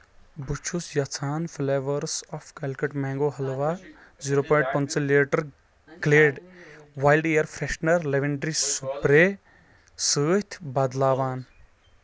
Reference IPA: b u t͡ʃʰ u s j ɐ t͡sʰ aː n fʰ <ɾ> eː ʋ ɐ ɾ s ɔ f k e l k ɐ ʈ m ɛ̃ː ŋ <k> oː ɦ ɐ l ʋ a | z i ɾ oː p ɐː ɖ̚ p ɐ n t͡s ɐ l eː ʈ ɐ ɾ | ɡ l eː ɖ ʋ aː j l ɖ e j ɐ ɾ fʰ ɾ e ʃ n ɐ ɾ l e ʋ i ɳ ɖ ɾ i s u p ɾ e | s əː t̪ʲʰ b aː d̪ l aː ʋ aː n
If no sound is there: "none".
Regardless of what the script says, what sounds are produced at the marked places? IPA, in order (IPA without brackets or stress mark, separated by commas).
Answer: l, ɡ